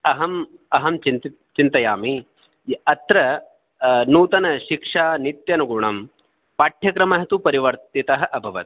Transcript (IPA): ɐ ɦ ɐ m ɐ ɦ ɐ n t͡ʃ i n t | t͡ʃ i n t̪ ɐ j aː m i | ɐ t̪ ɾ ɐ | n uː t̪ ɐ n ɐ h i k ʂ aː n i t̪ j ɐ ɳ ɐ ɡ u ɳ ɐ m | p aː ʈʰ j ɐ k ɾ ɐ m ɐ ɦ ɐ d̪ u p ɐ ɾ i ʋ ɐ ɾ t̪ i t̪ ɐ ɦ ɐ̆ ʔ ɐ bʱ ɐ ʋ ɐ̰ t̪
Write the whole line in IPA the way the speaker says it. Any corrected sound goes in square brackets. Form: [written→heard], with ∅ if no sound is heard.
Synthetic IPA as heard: ɐ ɦ ɐ m ɐ ɦ ɐ [n→m] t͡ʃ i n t | t͡ʃ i n t̪ ɐ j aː m i | ɐ t̪ ɾ ɐ | n uː t̪ ɐ n ɐ [h→ʃ] i k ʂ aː n i t̪ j ɐ [ɳ→n] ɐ ɡ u ɳ ɐ m | p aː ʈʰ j ɐ k ɾ ɐ m ɐ ɦ ɐ [d̪→t̪] u p ɐ ɾ i ʋ ɐ ɾ t̪ i t̪ ɐ ɦ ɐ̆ ʔ ɐ bʱ ɐ ʋ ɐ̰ t̪